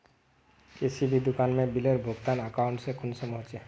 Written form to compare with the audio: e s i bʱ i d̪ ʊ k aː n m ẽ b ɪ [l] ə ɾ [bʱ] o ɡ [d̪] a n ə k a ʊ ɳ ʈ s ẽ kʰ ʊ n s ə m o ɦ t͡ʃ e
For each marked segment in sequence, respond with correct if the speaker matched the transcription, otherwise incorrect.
correct, correct, incorrect

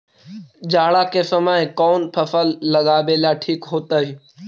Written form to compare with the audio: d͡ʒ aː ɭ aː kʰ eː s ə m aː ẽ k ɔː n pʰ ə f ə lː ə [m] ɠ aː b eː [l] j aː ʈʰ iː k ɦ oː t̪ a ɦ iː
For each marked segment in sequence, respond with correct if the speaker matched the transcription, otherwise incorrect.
incorrect, correct

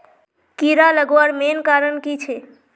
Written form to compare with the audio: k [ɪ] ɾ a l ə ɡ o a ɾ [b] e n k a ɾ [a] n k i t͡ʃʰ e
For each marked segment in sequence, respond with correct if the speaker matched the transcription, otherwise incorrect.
incorrect, incorrect, incorrect

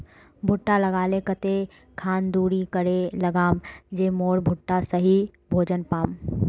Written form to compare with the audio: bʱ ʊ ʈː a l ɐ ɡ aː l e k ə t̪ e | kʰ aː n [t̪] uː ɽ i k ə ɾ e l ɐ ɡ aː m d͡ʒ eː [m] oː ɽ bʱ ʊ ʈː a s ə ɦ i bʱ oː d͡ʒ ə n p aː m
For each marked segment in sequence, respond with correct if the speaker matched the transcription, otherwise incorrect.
incorrect, correct

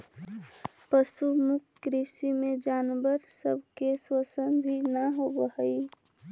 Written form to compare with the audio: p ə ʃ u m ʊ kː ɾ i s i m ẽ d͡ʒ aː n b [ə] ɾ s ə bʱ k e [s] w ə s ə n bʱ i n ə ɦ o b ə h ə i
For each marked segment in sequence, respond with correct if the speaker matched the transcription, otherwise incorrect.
correct, correct

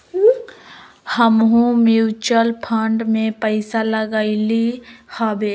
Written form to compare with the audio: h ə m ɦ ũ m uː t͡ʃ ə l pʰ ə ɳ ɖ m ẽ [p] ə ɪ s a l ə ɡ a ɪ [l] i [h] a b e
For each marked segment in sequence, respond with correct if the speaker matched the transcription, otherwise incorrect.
correct, correct, correct

